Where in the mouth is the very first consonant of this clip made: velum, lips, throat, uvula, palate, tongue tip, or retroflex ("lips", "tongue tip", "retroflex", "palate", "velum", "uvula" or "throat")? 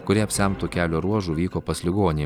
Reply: velum